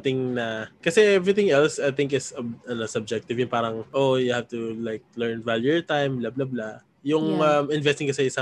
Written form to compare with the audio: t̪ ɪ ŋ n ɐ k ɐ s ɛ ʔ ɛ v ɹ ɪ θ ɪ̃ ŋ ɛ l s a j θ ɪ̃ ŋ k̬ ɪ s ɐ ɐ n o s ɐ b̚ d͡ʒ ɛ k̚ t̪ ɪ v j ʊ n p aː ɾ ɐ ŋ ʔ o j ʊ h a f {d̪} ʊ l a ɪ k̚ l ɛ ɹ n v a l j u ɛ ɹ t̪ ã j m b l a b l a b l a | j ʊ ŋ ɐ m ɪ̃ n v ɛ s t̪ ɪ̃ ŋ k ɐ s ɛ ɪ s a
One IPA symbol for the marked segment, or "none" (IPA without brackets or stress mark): t̪